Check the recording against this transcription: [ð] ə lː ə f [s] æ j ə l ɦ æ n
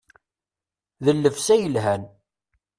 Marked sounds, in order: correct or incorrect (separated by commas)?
correct, correct